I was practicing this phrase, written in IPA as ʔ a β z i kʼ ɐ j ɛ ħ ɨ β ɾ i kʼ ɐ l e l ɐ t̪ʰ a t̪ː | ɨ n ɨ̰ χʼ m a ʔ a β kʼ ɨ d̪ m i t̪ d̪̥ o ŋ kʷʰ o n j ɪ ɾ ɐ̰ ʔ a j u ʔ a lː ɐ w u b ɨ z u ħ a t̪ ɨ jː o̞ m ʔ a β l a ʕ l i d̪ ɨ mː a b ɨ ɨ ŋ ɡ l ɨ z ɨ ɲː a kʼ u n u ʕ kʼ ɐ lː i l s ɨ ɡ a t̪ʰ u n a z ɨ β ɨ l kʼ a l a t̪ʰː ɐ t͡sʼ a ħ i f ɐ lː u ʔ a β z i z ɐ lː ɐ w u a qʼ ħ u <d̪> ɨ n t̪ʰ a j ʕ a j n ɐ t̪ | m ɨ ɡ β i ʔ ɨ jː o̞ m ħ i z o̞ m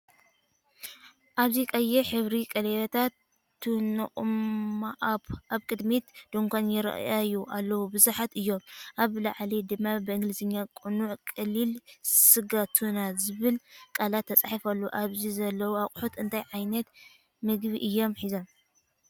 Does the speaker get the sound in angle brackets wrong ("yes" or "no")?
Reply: yes